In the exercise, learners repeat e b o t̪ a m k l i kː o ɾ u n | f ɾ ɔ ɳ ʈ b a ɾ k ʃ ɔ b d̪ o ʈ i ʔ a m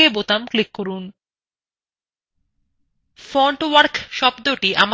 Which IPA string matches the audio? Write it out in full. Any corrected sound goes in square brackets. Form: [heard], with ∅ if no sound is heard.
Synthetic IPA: e b o t̪ a m k l i kː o ɾ u n | f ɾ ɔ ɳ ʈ [w] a ɾ k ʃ ɔ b d̪ o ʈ i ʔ a m